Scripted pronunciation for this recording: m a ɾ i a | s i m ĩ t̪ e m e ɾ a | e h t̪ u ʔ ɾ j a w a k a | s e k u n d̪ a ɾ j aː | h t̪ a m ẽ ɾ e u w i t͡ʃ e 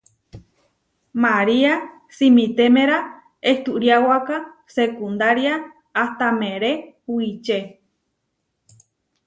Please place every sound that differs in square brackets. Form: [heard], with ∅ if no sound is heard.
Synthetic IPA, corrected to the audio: m a ɾ i a | s i m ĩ t̪ e m e ɾ a | e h t̪ u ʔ ɾ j a w a k a | s e k u n d̪ a ɾ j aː | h t̪ a m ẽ ɾ e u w i t͡ʃ e